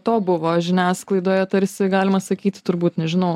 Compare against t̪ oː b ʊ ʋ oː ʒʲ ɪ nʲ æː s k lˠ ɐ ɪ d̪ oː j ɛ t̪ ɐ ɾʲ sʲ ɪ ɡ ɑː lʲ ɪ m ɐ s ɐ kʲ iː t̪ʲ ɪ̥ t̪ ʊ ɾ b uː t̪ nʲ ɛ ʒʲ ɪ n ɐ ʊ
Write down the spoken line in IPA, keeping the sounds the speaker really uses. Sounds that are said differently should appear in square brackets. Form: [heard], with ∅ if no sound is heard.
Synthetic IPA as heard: t̪ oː b ʊ ʋ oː ʒʲ ɪ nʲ æː s k lˠ ɐ ɪ d̪ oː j ɛ t̪ ɐ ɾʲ sʲ ɪ ɡ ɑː lʲ ɪ m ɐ s ɐ kʲ iː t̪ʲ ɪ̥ t̪ ʊ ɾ b uː t̪ nʲ ɛ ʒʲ ɪ n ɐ ʊ